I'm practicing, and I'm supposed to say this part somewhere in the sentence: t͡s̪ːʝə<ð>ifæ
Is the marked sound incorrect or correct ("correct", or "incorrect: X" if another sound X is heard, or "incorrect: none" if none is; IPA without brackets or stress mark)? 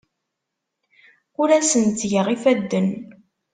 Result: incorrect: ʁ